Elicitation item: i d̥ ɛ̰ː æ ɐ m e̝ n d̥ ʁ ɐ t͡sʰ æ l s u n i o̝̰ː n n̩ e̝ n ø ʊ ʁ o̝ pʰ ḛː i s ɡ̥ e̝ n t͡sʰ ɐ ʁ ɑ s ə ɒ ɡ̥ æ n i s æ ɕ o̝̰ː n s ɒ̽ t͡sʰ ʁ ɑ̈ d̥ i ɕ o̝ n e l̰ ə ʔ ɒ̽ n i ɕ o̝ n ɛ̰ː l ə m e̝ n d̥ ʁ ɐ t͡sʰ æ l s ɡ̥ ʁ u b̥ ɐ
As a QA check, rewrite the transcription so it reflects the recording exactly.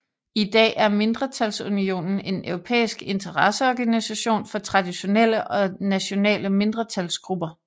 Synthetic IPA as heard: i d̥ ɛ̰ː æ ɐ m e̝ n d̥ ʁ ɐ t͡sʰ æ l s u n i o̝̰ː n n̩ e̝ n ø ʊ ʁ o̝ pʰ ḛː i s ɡ̥ e̝ n t͡sʰ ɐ ʁ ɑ s ə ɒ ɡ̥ æ n i s æ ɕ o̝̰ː n f ɒ̽ t͡sʰ ʁ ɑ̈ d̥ i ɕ o̝ n e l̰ ə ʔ ɒ̽ n æ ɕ o̝ n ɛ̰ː l ə m e̝ n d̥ ʁ ɐ t͡sʰ æ l s ɡ̥ ʁ u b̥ ɐ

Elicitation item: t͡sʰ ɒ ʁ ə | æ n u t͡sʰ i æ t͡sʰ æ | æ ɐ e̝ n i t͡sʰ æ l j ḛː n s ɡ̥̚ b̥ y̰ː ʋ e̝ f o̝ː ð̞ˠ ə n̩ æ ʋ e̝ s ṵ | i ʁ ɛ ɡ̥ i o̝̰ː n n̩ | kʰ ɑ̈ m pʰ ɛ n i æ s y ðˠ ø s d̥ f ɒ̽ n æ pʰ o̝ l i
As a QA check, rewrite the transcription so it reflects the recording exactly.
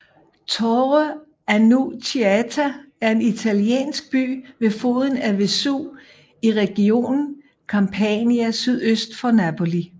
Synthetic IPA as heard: t͡sʰ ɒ ʁ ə | æ n u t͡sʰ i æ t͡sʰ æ | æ ɐ e̝ n i t͡sʰ æ l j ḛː n s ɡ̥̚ b̥ y̰ː ʋ e̝ f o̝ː ð̞ˠ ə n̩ æ ʋ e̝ s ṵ | i ʁ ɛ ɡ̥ i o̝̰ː n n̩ | kʰ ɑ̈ m pʰ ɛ n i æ s y ðˠ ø s d̥ f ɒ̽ n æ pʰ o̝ l i

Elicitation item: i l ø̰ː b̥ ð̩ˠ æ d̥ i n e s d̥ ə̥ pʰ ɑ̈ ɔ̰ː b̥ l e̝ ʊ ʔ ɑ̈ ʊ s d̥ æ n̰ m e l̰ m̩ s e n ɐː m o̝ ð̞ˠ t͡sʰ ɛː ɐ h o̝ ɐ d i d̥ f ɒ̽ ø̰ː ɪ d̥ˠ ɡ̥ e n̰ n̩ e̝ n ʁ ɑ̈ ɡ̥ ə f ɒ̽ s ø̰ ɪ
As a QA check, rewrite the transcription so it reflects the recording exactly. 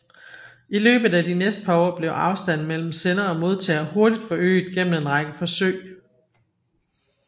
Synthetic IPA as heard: i l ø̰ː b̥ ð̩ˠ æ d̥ i n e s d̥ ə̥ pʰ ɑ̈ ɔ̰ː b̥ l e̝ ʊ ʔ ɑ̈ ʊ s d̥ æ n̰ m e l̰ m̩ s e n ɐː m o̝ ð̞ˠ t͡sʰ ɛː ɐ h o̝ ɐ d i d̥ f ɒ̽ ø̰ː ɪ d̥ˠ ɡ̥ e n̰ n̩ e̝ n ʁ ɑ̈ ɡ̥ ə f ɒ̽ s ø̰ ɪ

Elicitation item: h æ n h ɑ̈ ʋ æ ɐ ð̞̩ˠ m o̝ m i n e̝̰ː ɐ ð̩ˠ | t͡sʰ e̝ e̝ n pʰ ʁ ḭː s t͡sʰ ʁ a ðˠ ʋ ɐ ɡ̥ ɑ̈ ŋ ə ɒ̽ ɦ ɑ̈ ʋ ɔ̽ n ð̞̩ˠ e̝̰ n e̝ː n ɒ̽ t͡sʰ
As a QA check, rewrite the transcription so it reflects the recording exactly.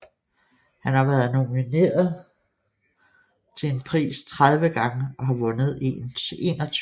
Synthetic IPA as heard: h æ n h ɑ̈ ʋ æ ɐ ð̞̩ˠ n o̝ m i n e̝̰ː ɐ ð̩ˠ | t͡sʰ e̝ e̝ n pʰ ʁ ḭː s t͡sʰ ʁ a ðˠ ʋ ə ɡ̥ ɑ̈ ŋ ə ɒ̽ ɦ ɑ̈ ʋ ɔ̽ n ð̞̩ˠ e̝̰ n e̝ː n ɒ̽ t͡sʰ

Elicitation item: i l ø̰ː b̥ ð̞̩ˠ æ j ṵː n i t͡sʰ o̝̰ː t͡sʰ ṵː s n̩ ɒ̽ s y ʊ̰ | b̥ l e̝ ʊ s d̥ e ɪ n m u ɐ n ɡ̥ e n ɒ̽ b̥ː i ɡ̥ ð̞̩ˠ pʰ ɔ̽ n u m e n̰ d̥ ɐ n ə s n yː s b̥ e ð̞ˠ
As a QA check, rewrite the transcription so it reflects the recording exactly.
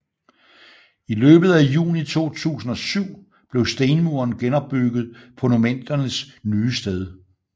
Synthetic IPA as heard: i l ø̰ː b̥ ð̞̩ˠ æ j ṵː n i t͡sʰ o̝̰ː t͡sʰ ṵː s n̩ ɒ̽ s y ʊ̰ | b̥ l e̝ ʊ s d̥ e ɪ n m u ɐ n ɡ̥ e n ɒ̽ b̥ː y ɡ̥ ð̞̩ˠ pʰ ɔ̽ n u m e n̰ d̥ ɐ n ə s n yː s d̥ e ð̞ˠ

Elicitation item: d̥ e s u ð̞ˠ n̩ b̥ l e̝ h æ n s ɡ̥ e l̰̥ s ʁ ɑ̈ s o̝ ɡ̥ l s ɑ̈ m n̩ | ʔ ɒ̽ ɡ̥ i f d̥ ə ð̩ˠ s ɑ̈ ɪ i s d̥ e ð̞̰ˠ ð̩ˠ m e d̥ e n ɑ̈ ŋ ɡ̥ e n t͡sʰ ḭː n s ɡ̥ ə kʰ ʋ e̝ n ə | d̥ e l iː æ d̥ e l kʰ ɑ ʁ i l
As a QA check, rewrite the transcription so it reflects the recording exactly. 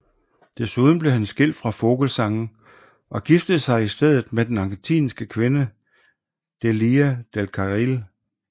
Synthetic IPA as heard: d̥ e s u ð̞ˠ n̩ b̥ l e̝ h æ n s ɡ̥ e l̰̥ f ʁ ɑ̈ f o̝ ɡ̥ l s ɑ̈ ŋ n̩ | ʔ ɒ̽ ɡ̥ i f d̥ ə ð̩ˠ s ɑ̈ ɪ i s d̥ e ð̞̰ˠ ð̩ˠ m e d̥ e n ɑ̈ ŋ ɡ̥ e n t͡sʰ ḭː n s ɡ̥ ə kʰ ʋ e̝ n ə | d̥ e l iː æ d̥ e l kʰ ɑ ʁ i l

